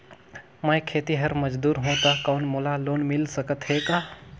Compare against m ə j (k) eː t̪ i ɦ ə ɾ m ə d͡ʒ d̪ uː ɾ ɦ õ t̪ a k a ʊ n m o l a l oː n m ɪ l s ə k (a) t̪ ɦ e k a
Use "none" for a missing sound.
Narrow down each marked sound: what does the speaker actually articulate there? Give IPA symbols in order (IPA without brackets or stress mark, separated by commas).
kʰ, ə